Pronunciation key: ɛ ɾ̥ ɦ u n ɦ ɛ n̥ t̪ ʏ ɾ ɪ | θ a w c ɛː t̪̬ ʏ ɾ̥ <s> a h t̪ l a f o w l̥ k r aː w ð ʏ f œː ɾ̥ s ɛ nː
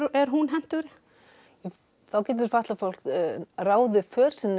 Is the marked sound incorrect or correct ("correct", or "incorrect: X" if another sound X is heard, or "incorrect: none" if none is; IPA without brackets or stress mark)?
incorrect: f